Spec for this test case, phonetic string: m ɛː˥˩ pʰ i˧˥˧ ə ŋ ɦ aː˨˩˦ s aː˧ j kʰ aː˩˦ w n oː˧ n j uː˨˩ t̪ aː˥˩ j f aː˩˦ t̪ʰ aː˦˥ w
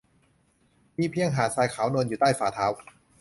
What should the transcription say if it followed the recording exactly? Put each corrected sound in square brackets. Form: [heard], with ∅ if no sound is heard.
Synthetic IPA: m [iː˥˩] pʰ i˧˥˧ ə ŋ ɦ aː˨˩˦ s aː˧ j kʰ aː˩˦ w n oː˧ n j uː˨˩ t̪ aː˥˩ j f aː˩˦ t̪ʰ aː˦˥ w